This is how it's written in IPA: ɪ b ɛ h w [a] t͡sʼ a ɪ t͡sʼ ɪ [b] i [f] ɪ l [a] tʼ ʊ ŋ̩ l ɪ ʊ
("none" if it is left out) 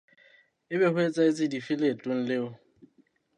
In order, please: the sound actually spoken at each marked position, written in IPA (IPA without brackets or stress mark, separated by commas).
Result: e, d, f, e